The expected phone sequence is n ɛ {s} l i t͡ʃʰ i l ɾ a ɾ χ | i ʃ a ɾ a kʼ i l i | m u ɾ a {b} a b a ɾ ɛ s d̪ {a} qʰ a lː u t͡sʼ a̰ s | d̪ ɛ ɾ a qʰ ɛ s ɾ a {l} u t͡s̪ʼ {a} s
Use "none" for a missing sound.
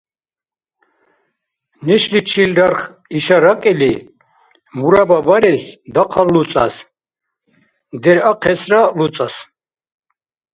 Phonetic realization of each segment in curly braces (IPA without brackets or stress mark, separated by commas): ʃ, b, a, l, a